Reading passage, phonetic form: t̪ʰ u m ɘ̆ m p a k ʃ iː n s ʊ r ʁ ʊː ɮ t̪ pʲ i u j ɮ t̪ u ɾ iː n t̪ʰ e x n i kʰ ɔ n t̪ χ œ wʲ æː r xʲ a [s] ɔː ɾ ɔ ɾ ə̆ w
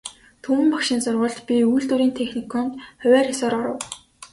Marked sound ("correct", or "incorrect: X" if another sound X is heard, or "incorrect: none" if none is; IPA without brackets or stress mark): correct